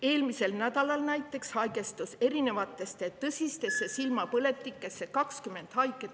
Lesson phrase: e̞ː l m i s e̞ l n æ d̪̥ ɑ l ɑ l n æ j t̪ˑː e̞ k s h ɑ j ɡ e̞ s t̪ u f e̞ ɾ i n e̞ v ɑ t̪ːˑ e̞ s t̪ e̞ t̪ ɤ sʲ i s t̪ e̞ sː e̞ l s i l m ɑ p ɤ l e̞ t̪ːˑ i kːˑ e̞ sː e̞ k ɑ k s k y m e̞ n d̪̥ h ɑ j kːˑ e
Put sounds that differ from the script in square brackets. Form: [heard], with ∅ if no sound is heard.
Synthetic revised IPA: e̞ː l m i s e̞ l n æ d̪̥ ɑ l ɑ l n æ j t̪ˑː e̞ k s h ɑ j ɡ e̞ s t̪ u [s] e̞ ɾ i n e̞ v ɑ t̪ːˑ e̞ s t̪ e̞ t̪ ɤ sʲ i s t̪ e̞ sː e̞ [∅] s i l m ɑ p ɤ l e̞ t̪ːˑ i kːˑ e̞ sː e̞ k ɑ k s k y m e̞ n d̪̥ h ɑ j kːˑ e